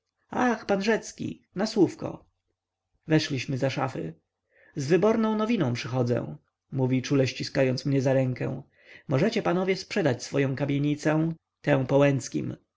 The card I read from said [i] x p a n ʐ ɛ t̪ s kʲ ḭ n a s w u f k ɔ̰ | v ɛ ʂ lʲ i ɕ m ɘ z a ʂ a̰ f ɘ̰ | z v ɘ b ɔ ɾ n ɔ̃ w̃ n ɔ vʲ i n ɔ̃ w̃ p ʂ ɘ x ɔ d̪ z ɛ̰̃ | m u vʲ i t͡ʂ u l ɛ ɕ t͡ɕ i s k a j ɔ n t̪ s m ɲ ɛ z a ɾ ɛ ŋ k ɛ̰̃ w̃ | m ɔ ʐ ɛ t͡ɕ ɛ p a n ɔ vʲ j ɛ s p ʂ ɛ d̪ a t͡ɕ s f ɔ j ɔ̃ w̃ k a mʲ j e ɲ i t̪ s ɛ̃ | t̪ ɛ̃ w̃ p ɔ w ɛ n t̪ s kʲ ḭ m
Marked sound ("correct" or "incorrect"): incorrect